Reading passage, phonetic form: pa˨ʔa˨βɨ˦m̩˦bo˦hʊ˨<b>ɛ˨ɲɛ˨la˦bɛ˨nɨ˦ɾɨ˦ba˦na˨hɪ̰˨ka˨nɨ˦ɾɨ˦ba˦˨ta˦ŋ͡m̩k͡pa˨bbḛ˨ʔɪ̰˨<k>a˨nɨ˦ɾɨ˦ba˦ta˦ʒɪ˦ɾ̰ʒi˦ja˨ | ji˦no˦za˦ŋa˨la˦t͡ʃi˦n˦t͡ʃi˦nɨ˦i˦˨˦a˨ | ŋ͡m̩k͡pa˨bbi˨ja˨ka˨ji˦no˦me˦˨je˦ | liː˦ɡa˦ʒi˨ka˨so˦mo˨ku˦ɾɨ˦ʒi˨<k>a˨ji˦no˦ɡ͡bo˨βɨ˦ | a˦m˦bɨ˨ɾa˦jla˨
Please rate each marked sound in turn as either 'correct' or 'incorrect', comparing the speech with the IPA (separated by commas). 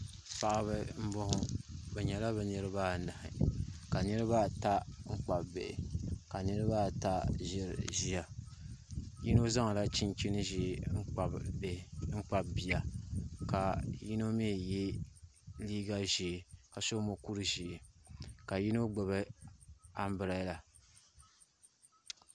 correct, correct, correct